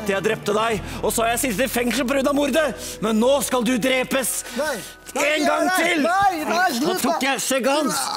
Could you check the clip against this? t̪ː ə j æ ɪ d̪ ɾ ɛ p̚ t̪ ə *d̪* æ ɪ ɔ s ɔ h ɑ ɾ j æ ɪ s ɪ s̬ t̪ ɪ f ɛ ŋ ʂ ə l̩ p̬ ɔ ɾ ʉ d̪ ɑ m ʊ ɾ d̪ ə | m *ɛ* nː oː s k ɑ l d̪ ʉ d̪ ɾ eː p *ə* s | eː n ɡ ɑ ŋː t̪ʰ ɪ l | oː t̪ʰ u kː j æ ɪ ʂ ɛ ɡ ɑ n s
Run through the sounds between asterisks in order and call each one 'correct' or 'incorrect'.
correct, correct, correct

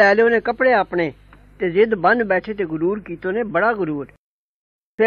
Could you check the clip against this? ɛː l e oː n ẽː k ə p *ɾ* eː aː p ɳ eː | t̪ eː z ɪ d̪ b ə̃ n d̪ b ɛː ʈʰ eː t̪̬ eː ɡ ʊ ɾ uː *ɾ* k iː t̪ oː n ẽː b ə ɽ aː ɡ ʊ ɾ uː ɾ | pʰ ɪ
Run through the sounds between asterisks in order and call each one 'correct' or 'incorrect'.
incorrect: ɽ, correct

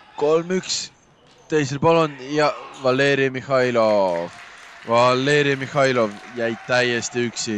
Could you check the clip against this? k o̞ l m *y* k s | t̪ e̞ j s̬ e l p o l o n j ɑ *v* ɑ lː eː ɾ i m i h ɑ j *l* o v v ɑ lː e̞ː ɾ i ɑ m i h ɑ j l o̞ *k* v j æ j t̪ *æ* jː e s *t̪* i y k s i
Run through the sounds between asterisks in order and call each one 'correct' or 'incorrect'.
correct, correct, correct, incorrect: none, correct, correct

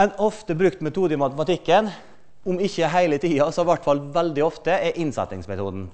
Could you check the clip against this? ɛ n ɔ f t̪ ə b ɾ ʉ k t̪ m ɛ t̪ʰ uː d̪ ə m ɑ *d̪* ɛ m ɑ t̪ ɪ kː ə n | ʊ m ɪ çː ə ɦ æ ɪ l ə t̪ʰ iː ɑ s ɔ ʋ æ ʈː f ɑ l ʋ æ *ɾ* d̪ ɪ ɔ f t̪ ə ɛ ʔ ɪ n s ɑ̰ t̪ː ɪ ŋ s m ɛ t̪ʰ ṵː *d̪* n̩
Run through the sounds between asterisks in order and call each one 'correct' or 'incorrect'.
incorrect: t̪, incorrect: l, correct

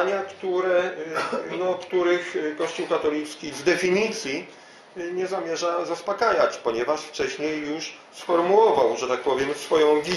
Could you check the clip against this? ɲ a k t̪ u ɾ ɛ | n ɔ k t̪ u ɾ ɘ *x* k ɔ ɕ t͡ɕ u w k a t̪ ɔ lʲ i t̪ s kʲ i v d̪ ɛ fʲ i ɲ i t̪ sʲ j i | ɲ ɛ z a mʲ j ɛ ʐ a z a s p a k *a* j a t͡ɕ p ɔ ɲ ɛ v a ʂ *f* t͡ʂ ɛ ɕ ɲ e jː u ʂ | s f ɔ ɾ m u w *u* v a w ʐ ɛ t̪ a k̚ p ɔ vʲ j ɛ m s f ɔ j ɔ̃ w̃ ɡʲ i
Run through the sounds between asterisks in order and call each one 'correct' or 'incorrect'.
correct, correct, correct, incorrect: ɔ

